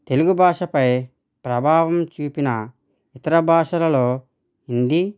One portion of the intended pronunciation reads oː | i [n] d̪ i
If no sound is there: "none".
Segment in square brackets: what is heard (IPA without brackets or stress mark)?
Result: n